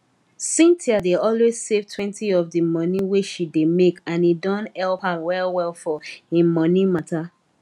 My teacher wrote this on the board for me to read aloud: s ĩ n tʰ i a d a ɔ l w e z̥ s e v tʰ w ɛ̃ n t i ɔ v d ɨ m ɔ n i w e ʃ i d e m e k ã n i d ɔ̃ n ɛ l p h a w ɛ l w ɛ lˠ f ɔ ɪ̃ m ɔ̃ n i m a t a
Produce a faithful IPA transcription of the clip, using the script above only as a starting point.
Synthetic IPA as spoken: s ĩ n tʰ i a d e ɔ l w e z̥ s e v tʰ w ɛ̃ n t i ɔ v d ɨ m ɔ n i w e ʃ i d e m e k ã n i d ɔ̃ n ɛ l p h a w ɛ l w ɛ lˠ f ɔ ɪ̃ m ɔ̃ n i m a t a